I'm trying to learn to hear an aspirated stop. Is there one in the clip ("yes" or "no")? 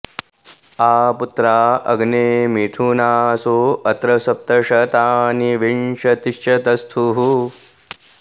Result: yes